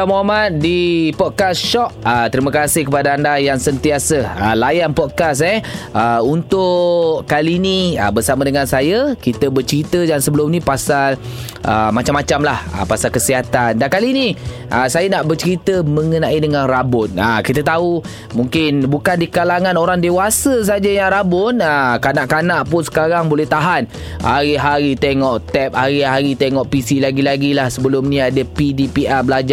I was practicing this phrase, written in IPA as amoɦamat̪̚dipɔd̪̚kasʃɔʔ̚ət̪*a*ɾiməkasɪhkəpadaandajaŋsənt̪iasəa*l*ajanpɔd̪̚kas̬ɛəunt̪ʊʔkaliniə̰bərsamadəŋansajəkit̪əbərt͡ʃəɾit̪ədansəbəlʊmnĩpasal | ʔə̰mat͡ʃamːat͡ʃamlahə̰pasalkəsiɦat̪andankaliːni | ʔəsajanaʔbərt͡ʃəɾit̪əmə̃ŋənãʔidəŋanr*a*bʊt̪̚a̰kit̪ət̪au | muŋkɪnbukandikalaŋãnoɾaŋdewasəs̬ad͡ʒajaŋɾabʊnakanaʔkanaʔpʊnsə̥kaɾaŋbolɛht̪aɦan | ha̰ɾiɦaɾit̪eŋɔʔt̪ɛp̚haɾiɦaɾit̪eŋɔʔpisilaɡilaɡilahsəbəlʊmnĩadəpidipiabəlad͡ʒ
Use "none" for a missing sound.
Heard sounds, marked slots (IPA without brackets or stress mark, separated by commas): ə, l, a